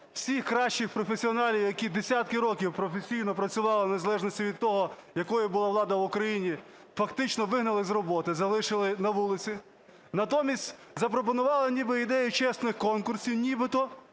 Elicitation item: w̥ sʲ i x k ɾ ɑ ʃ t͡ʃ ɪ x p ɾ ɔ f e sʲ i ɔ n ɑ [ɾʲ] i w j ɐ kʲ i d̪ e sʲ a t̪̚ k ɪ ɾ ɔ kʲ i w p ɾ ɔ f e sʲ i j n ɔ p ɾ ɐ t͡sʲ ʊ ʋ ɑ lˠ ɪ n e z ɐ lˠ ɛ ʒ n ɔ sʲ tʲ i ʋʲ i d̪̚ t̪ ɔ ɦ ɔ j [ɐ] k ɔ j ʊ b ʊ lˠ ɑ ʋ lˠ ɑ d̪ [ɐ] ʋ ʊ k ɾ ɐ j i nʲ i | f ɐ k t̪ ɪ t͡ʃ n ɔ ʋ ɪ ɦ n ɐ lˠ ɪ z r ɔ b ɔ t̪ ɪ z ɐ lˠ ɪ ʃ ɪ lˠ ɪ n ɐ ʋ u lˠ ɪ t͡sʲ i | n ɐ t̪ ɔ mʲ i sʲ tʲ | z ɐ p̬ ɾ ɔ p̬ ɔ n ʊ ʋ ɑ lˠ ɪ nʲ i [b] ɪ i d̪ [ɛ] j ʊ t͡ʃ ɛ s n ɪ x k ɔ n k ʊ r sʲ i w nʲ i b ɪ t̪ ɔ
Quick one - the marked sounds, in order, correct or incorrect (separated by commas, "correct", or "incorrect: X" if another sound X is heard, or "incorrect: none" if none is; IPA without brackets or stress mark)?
incorrect: lʲ, correct, correct, correct, correct